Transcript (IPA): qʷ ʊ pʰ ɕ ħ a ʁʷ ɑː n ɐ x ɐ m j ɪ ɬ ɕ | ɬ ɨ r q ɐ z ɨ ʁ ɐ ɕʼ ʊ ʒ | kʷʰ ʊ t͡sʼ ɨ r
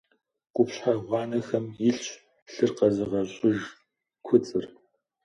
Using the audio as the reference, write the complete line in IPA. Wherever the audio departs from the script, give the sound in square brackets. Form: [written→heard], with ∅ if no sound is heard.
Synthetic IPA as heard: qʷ ʊ [pʰ→p] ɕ ħ a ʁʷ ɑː n ɐ x ɐ m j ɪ ɬ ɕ | ɬ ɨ r q ɐ z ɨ ʁ ɐ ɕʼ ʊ ʒ | kʷʰ ʊ t͡sʼ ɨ r